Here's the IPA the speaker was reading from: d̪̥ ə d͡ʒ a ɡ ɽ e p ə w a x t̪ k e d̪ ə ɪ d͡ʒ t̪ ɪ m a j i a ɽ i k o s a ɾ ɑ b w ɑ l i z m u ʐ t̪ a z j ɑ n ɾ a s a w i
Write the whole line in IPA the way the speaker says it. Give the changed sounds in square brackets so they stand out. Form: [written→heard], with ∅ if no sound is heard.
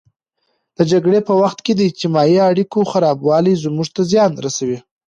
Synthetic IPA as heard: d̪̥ ə d͡ʒ a ɡ ɽ e p ə w a x t̪ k e d̪ ə ɪ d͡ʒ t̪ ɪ m [a→ɑ] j i a ɽ i k o [s→x] a ɾ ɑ b w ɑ l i z m u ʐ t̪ a z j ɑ n ɾ a s a w i